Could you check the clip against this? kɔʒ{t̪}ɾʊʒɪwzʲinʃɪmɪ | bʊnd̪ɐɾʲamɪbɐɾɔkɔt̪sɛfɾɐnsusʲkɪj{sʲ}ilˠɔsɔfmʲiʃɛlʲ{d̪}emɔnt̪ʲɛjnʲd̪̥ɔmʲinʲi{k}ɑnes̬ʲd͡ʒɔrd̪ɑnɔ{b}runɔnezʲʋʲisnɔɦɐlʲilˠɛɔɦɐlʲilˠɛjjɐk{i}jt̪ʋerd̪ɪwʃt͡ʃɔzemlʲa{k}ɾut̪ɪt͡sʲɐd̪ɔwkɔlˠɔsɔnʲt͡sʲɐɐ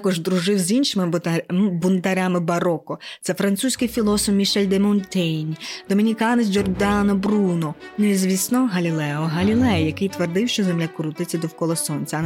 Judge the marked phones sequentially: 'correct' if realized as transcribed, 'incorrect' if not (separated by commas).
incorrect, incorrect, correct, correct, correct, incorrect, correct